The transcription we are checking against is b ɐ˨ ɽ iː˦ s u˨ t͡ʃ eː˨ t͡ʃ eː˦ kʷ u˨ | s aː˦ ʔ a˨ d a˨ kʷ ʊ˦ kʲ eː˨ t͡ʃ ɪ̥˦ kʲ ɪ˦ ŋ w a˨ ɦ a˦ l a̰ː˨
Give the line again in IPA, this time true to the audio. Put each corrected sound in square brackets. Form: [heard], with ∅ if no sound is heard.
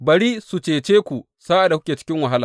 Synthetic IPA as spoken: b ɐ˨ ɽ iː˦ s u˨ t͡ʃ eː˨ t͡ʃ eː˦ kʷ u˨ | s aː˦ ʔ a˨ d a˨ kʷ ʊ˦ kʲ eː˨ t͡ʃ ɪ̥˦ kʲ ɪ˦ ŋ w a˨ ɦ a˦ l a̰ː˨